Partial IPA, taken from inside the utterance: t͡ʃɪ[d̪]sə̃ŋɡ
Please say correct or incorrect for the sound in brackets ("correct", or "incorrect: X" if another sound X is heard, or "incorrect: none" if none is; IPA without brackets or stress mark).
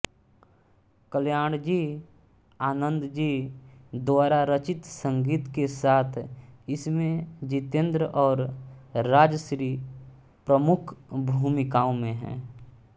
incorrect: t̪